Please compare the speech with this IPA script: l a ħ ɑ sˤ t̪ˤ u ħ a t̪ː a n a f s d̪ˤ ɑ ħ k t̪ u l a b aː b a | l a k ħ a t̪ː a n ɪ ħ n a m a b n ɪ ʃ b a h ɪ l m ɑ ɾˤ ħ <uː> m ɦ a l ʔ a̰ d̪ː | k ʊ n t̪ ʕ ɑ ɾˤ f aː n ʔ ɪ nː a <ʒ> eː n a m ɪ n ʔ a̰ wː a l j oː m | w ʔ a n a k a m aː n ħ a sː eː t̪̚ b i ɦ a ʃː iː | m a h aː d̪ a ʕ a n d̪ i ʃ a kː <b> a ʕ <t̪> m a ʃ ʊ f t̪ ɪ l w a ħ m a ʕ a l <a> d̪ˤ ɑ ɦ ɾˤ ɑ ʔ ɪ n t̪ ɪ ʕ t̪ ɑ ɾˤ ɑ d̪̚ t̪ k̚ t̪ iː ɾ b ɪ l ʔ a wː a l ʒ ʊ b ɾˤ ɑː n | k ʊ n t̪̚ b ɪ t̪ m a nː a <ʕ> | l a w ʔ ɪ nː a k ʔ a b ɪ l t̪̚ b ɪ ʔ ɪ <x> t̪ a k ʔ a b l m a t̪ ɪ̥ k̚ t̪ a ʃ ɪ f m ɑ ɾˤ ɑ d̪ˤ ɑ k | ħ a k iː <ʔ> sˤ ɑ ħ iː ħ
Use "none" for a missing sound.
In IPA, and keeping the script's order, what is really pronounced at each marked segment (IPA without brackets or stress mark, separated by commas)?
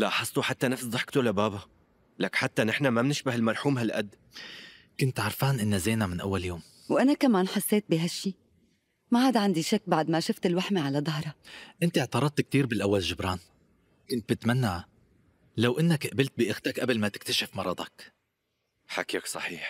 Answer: uː, z, b, d̪, a, ʕ, x, k